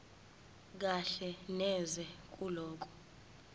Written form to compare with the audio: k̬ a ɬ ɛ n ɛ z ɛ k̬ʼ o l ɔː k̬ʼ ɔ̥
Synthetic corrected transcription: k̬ a ɬ ɛ n ɛ z ɛ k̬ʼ u l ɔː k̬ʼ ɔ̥